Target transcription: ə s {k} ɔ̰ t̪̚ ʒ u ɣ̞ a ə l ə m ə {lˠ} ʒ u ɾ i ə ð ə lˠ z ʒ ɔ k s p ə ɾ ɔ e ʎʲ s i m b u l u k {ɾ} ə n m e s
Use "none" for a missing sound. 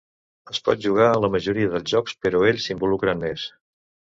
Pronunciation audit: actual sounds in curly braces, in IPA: p, none, ɾ

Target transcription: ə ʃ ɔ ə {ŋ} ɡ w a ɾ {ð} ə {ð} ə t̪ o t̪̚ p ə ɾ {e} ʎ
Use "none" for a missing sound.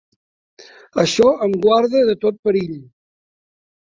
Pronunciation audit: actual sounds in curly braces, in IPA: m, ð, ð, i

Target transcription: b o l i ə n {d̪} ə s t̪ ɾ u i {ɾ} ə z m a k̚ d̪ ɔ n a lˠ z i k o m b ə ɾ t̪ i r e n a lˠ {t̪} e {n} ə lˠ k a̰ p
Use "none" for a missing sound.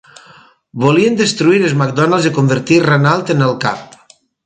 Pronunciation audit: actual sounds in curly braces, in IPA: d̪, ɾ, t̪, n

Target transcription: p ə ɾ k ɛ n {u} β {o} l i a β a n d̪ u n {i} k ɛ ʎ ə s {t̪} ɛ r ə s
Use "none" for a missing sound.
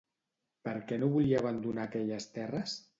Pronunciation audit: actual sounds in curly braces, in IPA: o, u, a, t̪

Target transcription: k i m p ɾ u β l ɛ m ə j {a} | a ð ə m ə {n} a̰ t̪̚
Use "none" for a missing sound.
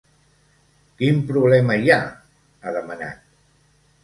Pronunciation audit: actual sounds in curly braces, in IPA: a, n

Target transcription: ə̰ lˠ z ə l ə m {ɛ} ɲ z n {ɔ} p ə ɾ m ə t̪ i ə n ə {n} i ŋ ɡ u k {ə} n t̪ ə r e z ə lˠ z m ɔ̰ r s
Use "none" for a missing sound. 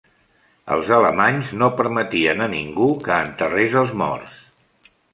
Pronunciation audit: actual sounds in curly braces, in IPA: a, o, n, əː

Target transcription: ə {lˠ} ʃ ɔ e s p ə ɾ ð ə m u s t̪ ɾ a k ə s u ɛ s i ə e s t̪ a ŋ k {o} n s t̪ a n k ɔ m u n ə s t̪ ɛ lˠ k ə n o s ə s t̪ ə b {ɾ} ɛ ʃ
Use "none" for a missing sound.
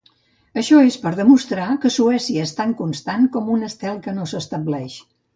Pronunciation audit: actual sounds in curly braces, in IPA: none, u, l

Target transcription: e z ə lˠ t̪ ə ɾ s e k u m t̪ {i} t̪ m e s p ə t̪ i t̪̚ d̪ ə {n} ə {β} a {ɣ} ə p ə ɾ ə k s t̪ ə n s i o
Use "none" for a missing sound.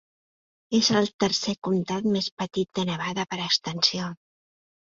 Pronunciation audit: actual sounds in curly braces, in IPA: a, n, β, ð

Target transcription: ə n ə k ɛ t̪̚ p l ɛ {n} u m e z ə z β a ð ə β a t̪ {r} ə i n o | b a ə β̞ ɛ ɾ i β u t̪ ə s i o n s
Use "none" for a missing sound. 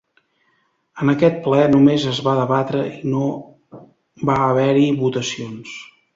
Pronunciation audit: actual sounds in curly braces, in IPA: n, ɾ

